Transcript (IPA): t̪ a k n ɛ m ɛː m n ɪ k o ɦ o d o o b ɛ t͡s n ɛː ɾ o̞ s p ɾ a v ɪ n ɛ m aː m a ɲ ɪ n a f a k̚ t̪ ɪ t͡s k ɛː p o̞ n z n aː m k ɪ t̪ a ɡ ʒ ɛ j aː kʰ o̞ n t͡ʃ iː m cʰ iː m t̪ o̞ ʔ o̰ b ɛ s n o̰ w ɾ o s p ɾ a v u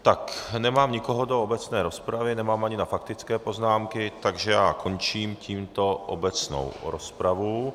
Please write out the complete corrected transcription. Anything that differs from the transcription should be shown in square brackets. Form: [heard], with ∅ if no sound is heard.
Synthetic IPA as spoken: t̪ a k n ɛ m [aː] m [ɲ] ɪ k o ɦ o d o o b ɛ t͡s n ɛː ɾ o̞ s p ɾ a v ɪ n ɛ m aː m a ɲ ɪ n a f a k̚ t̪ ɪ t͡s k ɛː p o̞ [∅] z n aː m k ɪ t̪ a ɡ ʒ ɛ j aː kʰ o̞ n t͡ʃ iː m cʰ iː m t̪ o̞ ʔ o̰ b ɛ [t͡s] n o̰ w ɾ o s p ɾ a v u